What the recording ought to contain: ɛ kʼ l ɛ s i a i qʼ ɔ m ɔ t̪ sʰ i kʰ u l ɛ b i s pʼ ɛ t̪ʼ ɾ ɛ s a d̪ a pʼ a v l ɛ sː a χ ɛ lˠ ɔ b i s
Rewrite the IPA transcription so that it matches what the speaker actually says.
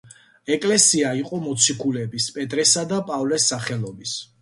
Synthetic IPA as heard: ɛ kʼ l ɛ s i a i qʼ ɔ m ɔ t̪ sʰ i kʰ u l ɛ b i s pʼ ɛ t̪ʼ ɾ ɛ s a d̪ a pʼ a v l ɛ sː a χ ɛ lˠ ɔ b i s